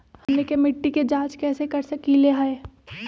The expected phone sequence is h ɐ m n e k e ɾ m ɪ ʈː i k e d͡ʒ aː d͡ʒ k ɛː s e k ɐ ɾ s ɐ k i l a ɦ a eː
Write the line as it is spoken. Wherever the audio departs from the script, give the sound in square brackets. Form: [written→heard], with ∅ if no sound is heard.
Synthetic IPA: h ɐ m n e k e [ɾ→∅] m ɪ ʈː i k e d͡ʒ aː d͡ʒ k ɛː s e k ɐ ɾ s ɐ k i l [a→e] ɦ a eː